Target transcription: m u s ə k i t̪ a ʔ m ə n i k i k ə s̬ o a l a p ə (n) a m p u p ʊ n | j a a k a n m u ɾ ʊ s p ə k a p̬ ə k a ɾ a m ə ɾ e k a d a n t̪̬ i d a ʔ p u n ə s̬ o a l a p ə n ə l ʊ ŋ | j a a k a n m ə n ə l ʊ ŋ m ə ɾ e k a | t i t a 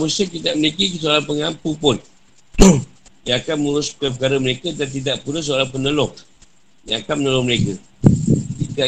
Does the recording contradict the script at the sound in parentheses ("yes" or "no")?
yes